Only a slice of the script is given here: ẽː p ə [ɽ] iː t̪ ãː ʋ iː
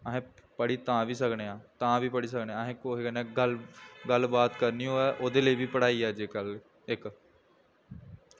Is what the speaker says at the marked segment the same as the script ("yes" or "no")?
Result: yes